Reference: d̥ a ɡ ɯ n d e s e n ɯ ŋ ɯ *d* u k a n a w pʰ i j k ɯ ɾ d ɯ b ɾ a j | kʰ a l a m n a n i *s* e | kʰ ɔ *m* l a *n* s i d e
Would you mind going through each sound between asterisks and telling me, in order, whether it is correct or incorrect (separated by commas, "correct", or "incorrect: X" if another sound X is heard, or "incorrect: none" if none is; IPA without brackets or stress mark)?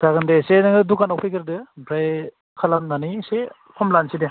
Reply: correct, correct, correct, correct